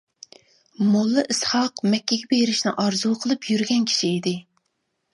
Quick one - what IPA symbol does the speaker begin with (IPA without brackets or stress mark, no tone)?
m